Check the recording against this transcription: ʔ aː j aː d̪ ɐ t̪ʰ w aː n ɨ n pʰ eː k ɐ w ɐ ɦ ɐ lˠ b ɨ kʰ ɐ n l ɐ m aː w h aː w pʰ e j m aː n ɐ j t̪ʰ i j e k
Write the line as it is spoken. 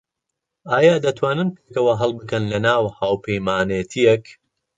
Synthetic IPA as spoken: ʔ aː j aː d̪ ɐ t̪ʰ w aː n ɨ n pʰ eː k ɐ w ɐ ɦ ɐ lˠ b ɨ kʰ ɐ n l ɐ n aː w h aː w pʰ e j m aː n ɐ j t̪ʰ i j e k